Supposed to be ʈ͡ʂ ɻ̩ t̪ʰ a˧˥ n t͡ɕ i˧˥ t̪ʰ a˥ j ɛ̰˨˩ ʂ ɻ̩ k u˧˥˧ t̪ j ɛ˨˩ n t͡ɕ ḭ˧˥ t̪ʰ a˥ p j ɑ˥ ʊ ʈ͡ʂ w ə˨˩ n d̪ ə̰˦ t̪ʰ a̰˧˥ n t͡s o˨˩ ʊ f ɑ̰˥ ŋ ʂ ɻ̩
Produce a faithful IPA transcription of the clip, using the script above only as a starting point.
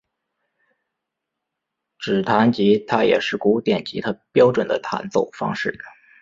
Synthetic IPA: ʈ͡ʂ ɻ̩ t̪ʰ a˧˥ n t͡ɕ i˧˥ t̪ʰ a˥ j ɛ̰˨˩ ʂ ɻ̩ k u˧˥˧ t̪ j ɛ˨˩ n t͡ɕ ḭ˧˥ t̪ʰ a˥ p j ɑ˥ ʊ ʈ͡ʂ w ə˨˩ n d̪ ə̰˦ t̪ʰ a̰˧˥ n t͡s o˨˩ ʊ f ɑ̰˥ ŋ ʂ ɻ̩